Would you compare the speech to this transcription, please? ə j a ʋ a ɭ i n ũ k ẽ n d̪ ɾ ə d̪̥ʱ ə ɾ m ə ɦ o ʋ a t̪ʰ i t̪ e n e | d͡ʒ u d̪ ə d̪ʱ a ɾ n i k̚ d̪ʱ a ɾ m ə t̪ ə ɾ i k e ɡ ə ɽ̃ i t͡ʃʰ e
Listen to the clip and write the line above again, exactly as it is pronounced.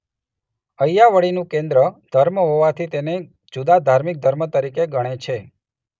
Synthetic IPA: ə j a ʋ ə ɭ i n ũ k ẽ n d̪ ɾ ə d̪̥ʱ ə ɾ m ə ɦ o ʋ a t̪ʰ i t̪ e n e | d͡ʒ u d̪ a d̪ʱ a ɾ m i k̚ d̪ʱ ə ɾ m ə t̪ ə ɾ i k e ɡ ə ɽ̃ e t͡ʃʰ e